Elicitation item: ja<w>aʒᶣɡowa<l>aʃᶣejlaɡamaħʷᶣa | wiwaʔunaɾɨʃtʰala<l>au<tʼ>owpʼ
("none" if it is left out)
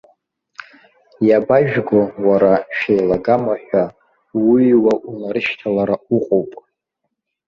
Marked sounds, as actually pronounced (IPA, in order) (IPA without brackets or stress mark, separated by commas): b, ɾ, ɾ, qʼ